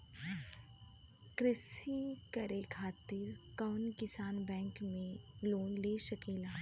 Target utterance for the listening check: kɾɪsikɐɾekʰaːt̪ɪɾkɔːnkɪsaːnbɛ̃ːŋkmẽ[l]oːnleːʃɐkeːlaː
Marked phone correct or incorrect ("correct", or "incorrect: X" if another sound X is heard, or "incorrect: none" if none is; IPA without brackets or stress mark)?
correct